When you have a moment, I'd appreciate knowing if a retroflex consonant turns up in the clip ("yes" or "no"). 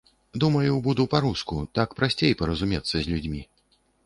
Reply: no